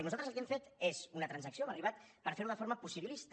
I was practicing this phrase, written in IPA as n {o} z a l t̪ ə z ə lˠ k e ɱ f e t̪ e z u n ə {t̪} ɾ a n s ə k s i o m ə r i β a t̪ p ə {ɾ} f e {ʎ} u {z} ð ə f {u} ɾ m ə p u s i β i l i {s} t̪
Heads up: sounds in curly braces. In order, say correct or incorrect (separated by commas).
incorrect, correct, correct, incorrect, incorrect, incorrect, correct